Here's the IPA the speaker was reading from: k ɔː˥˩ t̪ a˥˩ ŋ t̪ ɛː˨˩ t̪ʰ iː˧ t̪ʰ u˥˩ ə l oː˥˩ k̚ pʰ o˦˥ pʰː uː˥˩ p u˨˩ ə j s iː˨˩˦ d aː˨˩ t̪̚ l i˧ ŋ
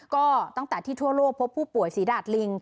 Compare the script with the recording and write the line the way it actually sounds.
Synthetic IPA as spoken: k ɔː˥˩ t̪ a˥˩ ŋ t̪ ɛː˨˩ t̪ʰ iː˥˩ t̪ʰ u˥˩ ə l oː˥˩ k̚ pʰ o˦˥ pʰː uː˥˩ p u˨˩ ə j s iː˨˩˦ d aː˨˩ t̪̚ l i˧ ŋ